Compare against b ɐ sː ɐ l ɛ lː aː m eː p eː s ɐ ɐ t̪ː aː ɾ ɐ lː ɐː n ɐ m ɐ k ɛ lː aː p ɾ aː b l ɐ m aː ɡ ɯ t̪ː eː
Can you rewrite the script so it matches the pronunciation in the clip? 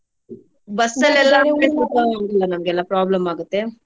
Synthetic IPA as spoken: b ɐ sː ɐ l ɛ lː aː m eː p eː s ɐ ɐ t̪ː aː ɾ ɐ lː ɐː n ɐ m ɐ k ɛ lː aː p ɾ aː b l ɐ m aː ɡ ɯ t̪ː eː

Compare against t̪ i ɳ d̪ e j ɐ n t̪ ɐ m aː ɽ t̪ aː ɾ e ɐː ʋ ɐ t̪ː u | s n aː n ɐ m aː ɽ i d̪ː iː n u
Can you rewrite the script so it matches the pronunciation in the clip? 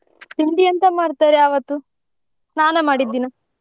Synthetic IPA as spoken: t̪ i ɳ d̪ i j ɐ n t̪ ɐ m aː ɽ t̪ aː ɾ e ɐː ʋ ɐ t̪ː u | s n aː n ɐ m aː ɽ i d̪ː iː n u

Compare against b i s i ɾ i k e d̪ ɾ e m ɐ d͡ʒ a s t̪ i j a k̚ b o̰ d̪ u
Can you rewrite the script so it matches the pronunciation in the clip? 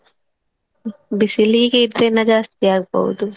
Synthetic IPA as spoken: b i s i l i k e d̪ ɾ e n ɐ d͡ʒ a s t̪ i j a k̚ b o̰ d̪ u

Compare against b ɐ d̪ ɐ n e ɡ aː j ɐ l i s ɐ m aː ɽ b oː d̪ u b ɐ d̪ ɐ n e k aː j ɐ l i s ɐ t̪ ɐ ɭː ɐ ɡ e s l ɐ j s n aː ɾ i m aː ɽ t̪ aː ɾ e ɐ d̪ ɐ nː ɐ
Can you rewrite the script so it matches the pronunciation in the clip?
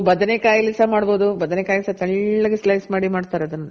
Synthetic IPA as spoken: b ɐ d̪ ɐ n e k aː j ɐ l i s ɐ m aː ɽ b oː d̪ u b ɐ d̪ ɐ n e k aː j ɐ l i s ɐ t̪ ɐ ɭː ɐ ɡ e s l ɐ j s m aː ɽ i m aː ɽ t̪ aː ɾ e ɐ d̪ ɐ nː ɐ

